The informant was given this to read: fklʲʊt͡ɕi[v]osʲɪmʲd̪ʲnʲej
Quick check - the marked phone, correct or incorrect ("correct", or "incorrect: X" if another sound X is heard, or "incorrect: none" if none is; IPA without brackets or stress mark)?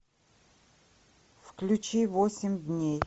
correct